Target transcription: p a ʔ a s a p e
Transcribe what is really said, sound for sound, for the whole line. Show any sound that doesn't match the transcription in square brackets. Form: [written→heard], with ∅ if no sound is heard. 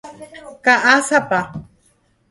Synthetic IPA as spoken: [p→k] a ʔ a s a p [e→a]